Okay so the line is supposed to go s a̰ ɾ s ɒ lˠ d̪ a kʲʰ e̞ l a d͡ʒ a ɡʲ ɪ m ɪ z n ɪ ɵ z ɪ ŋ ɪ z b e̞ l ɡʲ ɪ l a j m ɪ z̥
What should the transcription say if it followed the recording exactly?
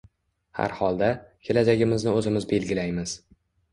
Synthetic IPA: h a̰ ɾ h ɒ lˠ d̪ a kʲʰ e̞ l a d͡ʒ a ɡʲ ɪ m ɪ z n ɪ ɵ z ɪ m ɪ z b e̞ l ɡʲ ɪ l a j m ɪ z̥